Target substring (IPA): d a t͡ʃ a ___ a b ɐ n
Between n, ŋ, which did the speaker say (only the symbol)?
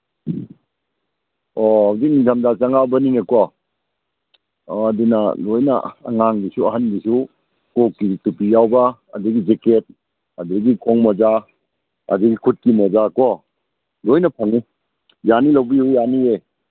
ŋ